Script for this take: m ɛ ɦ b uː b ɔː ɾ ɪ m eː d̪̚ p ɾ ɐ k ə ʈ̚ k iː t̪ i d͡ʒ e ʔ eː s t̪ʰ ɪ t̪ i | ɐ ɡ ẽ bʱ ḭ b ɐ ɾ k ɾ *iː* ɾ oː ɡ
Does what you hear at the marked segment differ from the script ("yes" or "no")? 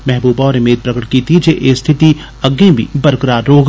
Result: yes